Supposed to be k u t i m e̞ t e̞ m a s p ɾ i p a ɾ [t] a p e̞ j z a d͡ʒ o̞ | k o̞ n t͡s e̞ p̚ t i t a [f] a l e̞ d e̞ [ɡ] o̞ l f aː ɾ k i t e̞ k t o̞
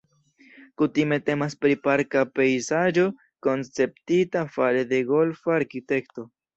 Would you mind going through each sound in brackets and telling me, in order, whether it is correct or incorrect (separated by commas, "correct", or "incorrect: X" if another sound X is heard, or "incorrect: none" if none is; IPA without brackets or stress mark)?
incorrect: k, correct, correct